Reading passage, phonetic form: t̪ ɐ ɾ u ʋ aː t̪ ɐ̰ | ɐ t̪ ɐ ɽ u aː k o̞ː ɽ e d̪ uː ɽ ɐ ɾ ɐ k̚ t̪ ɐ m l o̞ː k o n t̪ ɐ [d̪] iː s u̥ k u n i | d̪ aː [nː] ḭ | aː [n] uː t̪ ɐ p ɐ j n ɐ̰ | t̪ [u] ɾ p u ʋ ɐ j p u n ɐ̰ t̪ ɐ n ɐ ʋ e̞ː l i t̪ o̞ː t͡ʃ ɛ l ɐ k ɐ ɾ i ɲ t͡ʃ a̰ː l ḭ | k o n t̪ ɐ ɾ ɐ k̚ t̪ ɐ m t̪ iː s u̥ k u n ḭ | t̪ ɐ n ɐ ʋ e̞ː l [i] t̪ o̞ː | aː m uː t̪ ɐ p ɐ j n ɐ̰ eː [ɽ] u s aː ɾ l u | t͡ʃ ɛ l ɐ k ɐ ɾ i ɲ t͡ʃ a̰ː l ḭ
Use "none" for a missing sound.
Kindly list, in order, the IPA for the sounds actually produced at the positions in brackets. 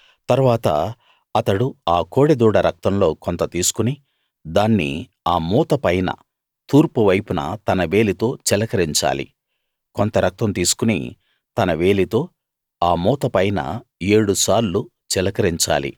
t̪, nː, m, uː, i, ɽ

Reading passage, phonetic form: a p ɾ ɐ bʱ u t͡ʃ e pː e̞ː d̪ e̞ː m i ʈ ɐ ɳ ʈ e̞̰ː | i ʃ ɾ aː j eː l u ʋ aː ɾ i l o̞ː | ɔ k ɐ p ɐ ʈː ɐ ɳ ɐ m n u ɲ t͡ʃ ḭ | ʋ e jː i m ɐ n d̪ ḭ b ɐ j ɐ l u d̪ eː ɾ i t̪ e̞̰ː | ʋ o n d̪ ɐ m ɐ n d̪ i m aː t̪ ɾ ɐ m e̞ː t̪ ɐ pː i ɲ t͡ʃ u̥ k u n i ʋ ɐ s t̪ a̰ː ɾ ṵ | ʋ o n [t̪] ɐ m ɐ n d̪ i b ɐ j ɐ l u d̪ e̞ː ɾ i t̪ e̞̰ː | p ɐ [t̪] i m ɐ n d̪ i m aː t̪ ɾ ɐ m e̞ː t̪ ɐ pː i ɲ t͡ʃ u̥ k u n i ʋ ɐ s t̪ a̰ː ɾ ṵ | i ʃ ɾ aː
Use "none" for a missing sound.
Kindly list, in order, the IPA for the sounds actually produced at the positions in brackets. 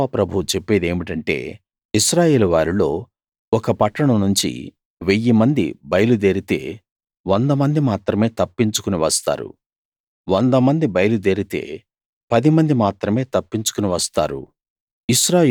d̪, d̪

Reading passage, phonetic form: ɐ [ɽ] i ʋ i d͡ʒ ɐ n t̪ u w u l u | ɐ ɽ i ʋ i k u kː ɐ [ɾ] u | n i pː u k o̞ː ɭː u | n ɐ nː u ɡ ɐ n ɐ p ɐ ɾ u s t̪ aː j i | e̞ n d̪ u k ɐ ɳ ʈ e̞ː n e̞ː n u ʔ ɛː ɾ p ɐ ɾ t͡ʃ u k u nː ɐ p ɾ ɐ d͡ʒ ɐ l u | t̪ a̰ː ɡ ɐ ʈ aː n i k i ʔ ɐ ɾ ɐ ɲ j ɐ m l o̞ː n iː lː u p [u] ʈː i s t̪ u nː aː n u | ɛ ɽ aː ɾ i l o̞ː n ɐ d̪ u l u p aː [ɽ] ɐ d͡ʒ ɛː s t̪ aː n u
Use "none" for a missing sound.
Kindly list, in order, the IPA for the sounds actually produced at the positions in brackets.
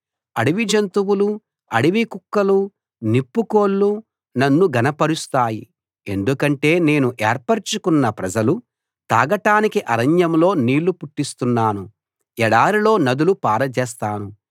ɽ, l, u, ɾ

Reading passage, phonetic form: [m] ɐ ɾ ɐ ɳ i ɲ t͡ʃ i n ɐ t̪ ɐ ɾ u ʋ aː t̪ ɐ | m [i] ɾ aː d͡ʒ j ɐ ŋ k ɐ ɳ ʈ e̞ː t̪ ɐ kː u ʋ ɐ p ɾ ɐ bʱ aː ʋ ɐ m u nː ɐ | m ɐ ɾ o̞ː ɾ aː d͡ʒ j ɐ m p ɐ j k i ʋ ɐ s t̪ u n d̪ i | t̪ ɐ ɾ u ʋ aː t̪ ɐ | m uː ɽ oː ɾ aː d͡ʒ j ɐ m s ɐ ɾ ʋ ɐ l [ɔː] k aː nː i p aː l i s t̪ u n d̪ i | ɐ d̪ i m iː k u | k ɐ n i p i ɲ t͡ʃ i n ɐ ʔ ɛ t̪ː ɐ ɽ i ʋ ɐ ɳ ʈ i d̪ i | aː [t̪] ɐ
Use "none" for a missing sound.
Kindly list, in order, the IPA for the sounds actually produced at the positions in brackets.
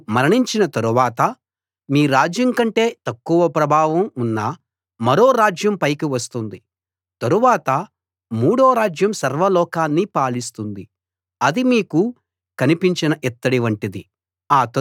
m, iː, ɔː, t̪

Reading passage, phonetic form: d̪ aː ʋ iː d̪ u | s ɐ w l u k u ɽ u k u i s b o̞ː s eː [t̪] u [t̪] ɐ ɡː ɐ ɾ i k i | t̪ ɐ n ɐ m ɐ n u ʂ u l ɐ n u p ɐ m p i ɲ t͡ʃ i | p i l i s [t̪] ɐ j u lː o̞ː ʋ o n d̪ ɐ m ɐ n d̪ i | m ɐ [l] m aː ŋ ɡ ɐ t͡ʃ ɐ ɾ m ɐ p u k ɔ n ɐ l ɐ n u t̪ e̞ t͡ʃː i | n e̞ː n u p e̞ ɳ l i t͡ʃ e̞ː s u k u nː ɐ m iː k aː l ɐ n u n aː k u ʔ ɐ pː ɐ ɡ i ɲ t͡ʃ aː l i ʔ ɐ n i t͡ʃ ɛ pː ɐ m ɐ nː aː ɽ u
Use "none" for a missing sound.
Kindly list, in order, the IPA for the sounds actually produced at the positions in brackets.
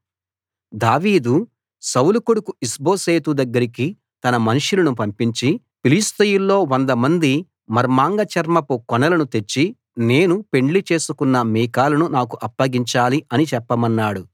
t̪, d̪, t̪, ɾ

